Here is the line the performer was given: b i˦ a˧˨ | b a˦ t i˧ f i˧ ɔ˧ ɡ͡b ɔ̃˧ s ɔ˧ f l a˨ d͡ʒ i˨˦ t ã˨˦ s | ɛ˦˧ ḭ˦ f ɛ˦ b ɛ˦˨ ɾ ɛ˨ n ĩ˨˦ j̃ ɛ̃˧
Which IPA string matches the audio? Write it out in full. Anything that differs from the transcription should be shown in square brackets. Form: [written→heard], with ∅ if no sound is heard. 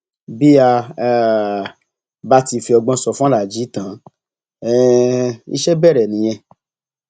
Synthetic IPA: b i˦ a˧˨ | b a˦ t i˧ f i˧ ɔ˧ ɡ͡b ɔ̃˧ s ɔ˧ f l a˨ d͡ʒ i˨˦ t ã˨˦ [s→∅] | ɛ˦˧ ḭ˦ [f→ʃ] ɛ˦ b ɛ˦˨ ɾ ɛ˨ n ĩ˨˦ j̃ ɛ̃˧